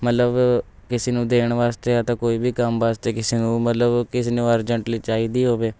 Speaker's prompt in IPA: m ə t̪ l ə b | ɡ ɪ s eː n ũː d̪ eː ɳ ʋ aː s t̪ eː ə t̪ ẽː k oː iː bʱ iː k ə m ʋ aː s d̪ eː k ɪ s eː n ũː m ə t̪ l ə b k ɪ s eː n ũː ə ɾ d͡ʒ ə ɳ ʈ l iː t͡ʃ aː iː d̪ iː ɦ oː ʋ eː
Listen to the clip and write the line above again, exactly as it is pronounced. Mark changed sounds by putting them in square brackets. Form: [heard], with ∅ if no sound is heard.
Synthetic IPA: m ə t̪ l ə b | [k] ɪ s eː n ũː d̪ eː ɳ ʋ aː s t̪ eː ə t̪ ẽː k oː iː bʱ iː k ə m ʋ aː s [t̪] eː k ɪ s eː n ũː m ə t̪ l ə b k ɪ s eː n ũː ə ɾ d͡ʒ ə ɳ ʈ l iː t͡ʃ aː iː d̪ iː ɦ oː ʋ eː